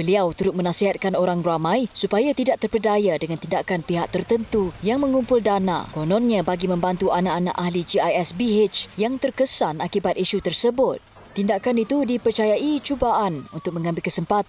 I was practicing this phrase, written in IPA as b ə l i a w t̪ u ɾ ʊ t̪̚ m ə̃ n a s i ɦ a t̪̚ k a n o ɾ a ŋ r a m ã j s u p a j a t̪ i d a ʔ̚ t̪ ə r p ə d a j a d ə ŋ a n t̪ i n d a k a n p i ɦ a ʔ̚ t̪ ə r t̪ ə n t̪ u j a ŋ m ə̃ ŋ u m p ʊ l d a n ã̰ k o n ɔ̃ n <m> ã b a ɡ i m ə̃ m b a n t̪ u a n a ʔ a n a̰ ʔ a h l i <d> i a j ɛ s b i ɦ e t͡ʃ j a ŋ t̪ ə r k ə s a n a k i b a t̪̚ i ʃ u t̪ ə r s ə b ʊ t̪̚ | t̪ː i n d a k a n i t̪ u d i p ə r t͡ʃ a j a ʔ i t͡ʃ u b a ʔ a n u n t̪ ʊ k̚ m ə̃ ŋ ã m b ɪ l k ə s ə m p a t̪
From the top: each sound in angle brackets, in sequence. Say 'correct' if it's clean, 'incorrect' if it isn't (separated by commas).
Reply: incorrect, incorrect